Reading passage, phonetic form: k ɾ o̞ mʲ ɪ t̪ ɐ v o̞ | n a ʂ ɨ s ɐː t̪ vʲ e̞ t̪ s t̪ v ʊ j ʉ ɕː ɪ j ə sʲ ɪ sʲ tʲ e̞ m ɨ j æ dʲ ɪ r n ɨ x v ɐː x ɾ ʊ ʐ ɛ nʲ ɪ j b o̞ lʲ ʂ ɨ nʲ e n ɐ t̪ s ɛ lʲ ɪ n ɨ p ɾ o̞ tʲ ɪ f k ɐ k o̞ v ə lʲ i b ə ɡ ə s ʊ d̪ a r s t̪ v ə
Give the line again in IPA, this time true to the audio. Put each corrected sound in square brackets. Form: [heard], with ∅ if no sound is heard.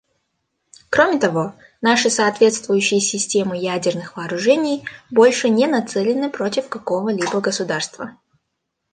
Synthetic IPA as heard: k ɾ o̞ mʲ ɪ t̪ ɐ v o̞ | n a ʂ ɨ s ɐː t̪ vʲ e̞ t̪ s t̪ v ʊ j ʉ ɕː ɪ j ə sʲ ɪ sʲ tʲ e̞ m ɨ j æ dʲ ɪ r n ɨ x v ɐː [∅] ɾ ʊ ʐ ɛ nʲ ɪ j b o̞ lʲ ʂ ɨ nʲ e n ɐ t̪ s ɛ lʲ ɪ n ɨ p ɾ o̞ tʲ ɪ f k ɐ k o̞ v ə lʲ i b ə ɡ ə s ʊ d̪ a r s t̪ v ə